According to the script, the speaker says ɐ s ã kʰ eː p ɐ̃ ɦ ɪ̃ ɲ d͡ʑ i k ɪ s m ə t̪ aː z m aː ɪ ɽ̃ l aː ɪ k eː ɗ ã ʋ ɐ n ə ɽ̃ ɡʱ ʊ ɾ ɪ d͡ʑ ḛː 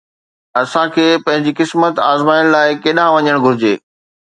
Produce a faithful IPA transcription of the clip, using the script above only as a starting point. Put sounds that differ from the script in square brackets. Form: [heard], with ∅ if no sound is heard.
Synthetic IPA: ɐ s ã kʰ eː p ɐ̃ ɦ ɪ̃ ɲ d͡ʑ i k ɪ s m ə t̪ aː z m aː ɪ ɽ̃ l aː ɪ k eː ɗ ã ʋ ɐ [ɲ] ə ɽ̃ ɡʱ ʊ ɾ ɪ d͡ʑ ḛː